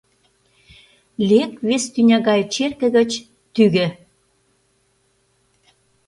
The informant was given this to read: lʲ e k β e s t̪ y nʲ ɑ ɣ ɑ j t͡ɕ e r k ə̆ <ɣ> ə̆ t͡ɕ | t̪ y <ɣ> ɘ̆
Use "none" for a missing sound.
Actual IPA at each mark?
ɣ, ɣ

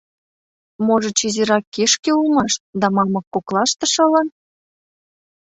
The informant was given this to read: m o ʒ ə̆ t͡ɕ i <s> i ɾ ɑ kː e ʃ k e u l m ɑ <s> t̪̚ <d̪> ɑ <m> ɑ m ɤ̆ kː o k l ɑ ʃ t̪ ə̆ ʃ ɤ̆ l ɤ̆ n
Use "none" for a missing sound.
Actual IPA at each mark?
z, ʃ, d̪, m

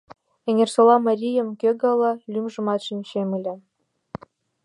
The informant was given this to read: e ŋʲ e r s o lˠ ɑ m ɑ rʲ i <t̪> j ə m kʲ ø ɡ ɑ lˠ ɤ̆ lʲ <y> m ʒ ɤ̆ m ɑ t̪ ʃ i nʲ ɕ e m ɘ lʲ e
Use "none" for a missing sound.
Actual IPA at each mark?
none, y

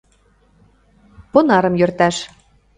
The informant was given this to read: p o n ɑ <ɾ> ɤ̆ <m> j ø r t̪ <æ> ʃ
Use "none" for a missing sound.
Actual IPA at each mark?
ɾ, m, æ

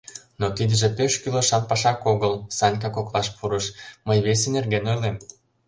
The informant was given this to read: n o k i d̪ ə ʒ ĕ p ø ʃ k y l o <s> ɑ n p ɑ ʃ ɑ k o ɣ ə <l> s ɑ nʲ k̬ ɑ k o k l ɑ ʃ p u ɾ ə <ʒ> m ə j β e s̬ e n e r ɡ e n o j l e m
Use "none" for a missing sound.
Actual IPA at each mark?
ʃ, l, ʃ

